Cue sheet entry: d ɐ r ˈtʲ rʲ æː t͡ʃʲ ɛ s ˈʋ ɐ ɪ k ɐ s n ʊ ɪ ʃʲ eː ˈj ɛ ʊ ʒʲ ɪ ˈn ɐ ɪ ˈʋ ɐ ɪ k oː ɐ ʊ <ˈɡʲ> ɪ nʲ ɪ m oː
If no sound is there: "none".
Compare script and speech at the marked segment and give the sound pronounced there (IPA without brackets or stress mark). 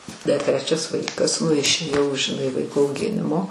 ɡʲ